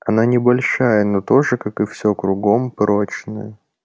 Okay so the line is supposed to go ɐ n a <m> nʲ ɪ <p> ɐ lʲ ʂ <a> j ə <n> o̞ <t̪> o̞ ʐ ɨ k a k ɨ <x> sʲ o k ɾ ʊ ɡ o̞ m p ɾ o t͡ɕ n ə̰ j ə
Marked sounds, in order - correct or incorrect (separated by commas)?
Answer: incorrect, incorrect, correct, correct, correct, incorrect